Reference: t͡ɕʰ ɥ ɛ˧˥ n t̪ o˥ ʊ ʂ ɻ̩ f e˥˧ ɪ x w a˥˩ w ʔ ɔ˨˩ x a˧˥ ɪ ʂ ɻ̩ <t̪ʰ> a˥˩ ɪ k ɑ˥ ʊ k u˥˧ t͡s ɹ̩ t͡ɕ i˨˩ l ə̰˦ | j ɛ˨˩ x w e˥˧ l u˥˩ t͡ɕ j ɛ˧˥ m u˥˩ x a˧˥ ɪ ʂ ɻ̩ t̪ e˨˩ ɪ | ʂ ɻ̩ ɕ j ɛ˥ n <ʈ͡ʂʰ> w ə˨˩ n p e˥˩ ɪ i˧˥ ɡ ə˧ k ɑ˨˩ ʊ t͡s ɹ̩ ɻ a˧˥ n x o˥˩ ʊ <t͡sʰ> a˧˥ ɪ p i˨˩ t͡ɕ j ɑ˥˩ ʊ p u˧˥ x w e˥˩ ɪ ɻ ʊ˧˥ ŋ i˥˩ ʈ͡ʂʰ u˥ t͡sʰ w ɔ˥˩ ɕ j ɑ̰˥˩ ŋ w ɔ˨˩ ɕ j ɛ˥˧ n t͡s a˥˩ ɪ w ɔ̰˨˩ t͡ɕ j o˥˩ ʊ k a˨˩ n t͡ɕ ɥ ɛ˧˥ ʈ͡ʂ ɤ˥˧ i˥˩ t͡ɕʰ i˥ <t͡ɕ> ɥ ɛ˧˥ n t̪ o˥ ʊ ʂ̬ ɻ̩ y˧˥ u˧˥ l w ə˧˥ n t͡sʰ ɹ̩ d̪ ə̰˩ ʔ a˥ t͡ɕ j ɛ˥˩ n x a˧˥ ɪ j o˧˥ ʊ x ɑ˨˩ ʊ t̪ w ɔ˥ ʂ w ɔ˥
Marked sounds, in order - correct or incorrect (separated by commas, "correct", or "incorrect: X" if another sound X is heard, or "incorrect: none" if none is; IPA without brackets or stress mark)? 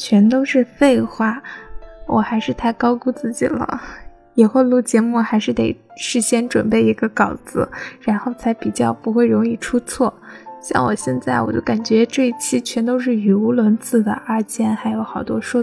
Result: correct, incorrect: ʈ͡ʂ, correct, incorrect: t͡ɕʰ